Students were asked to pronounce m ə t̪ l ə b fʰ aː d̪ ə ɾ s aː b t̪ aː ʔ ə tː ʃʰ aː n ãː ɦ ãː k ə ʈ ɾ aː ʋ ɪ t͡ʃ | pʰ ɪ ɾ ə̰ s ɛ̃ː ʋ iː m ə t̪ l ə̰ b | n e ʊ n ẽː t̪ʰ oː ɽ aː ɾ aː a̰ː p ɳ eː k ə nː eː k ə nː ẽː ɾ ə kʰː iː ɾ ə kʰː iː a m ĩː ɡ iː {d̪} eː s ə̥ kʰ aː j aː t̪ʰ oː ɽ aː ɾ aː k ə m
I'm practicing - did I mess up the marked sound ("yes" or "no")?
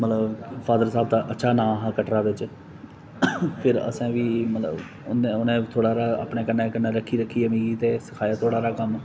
yes